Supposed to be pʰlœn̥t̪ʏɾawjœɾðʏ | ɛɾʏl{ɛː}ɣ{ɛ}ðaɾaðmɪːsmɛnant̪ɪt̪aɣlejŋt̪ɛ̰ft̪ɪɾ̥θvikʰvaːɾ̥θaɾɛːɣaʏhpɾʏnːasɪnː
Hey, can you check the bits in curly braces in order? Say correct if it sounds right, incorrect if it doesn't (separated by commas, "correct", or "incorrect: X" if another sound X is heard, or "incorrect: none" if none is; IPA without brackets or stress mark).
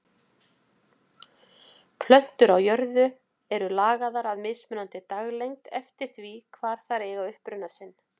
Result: incorrect: aː, incorrect: a